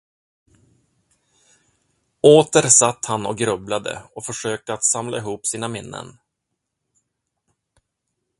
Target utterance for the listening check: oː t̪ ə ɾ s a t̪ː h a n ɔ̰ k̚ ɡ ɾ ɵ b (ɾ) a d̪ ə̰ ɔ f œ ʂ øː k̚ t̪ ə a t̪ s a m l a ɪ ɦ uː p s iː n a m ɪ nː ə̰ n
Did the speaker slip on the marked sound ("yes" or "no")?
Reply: yes